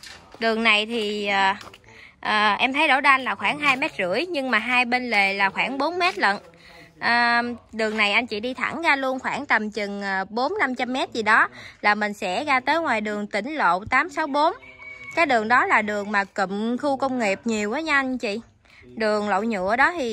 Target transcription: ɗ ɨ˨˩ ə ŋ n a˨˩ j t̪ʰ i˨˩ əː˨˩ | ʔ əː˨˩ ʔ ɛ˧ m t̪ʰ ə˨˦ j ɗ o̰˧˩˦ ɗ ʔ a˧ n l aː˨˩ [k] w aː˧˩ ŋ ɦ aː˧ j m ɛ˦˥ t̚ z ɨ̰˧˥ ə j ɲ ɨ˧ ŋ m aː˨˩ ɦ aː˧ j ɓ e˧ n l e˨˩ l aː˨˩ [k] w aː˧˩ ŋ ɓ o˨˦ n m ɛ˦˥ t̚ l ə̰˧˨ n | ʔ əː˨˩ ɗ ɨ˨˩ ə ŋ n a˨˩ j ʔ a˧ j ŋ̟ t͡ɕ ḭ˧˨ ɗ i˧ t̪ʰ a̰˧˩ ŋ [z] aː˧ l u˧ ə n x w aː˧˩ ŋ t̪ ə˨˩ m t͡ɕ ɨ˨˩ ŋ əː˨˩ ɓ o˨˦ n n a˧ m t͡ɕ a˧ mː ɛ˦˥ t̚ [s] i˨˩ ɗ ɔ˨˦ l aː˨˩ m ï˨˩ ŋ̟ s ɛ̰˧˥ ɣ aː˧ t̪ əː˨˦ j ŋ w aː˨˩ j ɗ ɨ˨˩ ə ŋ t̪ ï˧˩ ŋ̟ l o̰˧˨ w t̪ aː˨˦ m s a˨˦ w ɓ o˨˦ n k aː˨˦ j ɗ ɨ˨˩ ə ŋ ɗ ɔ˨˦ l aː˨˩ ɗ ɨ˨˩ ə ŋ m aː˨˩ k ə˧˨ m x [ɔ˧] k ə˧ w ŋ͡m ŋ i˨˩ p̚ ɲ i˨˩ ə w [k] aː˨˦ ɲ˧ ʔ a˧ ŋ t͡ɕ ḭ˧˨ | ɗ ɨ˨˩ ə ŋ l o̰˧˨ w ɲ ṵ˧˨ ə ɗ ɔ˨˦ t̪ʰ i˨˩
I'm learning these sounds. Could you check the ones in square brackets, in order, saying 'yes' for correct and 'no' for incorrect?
no, no, no, no, no, no

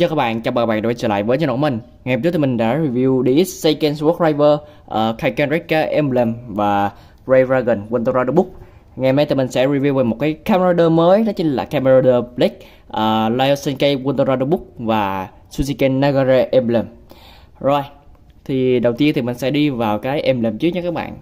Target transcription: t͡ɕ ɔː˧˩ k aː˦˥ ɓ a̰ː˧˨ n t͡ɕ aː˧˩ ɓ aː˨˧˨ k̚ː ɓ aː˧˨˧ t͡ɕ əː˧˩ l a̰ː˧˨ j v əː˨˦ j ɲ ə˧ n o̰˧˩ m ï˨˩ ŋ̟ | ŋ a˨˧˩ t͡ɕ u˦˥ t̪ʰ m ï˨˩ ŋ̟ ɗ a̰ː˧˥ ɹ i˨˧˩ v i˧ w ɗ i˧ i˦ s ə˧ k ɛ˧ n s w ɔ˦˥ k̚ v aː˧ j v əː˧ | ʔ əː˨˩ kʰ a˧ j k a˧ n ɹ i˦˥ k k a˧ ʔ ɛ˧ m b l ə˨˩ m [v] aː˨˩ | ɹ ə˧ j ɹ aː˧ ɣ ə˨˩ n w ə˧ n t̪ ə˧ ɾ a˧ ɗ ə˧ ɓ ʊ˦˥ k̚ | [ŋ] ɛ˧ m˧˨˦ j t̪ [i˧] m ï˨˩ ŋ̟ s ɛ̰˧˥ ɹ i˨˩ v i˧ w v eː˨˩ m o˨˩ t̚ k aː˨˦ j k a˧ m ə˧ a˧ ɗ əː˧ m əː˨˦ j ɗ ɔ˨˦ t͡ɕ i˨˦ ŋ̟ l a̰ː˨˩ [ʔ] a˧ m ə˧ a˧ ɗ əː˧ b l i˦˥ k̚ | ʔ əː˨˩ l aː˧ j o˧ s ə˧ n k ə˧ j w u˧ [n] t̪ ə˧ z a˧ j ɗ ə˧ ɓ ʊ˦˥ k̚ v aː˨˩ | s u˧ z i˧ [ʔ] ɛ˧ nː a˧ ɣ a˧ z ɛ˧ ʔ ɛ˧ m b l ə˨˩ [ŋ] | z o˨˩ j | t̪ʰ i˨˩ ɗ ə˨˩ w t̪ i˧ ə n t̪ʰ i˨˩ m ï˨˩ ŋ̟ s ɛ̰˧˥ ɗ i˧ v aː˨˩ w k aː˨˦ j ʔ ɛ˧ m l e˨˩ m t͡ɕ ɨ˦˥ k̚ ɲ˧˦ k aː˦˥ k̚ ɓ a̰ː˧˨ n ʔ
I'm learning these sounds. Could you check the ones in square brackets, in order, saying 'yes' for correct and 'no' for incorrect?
yes, yes, no, no, yes, no, no

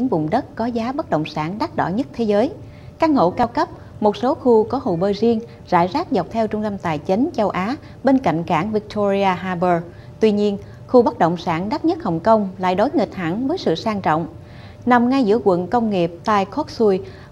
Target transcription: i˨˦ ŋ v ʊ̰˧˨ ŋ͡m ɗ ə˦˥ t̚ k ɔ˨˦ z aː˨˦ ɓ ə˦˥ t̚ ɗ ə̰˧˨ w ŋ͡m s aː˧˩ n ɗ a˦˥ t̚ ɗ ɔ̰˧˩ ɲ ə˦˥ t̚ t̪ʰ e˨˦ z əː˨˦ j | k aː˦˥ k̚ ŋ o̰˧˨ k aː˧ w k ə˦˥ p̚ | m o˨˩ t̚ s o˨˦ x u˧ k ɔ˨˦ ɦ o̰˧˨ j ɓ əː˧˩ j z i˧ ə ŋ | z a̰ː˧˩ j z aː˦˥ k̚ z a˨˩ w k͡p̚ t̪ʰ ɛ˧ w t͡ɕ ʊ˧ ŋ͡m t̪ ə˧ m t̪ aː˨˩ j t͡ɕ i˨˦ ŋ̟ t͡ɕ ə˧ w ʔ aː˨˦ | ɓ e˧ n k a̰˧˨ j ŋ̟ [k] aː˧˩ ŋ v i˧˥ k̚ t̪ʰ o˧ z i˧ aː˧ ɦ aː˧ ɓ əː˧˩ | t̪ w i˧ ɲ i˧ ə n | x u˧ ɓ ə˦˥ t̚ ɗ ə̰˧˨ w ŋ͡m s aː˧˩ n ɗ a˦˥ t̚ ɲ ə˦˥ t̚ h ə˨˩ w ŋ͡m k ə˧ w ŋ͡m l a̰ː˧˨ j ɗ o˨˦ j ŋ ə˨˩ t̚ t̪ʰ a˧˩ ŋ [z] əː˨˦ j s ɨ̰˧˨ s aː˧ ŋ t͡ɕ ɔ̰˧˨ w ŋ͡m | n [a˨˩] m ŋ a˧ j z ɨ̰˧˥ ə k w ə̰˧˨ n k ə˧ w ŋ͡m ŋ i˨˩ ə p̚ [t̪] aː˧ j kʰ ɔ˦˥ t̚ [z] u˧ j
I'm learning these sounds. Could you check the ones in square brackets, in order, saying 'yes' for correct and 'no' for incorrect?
yes, no, yes, yes, no

